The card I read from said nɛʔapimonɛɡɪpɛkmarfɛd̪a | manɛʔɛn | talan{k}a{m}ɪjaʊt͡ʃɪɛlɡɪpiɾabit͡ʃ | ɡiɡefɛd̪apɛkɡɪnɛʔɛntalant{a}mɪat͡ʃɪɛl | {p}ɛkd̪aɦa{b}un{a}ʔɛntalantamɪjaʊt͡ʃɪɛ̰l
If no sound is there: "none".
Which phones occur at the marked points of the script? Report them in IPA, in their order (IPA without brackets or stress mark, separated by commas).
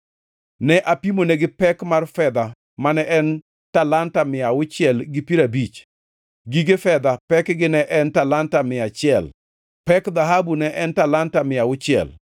t, m, a, p, b, ɛ